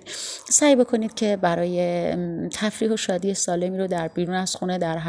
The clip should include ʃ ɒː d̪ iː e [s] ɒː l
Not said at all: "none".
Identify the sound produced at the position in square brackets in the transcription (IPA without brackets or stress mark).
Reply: s